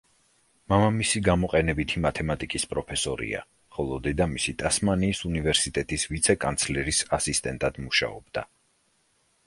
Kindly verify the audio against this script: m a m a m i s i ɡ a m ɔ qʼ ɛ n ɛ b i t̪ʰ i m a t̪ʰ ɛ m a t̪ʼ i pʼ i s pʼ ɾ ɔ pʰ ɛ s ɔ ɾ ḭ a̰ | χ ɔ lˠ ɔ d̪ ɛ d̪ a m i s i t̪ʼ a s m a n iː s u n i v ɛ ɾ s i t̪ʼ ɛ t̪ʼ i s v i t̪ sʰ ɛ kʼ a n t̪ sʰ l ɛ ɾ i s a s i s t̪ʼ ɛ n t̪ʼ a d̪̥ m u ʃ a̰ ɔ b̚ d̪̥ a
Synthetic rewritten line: m a m a m i s i ɡ a m ɔ qʼ ɛ n ɛ b i t̪ʰ i m a t̪ʰ ɛ m a t̪ʼ i kʼ i s pʼ ɾ ɔ pʰ ɛ s ɔ ɾ ḭ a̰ | χ ɔ lˠ ɔ d̪ ɛ d̪ a m i s i t̪ʼ a s m a n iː s u n i v ɛ ɾ s i t̪ʼ ɛ t̪ʼ i s v i t̪ sʰ ɛ kʼ a n t̪ sʰ l ɛ ɾ i s a s i s t̪ʼ ɛ n t̪ʼ a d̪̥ m u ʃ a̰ ɔ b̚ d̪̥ a